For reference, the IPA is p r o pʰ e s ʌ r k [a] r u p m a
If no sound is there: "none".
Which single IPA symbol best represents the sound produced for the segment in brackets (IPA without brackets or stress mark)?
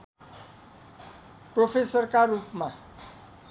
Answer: a